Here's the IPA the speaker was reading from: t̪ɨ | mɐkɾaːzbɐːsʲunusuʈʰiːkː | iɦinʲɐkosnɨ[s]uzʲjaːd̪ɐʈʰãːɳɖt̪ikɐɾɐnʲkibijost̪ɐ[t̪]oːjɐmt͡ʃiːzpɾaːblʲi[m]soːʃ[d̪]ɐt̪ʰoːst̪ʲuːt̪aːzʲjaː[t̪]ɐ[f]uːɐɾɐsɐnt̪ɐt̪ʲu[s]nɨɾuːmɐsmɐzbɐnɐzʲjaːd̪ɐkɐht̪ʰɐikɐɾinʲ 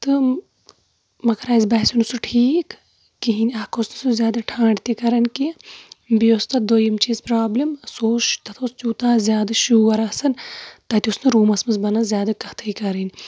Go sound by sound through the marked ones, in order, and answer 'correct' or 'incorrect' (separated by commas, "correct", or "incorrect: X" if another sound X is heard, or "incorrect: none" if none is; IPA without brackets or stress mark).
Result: correct, incorrect: d̪, correct, incorrect: t̪, incorrect: d̪, incorrect: ʃ, correct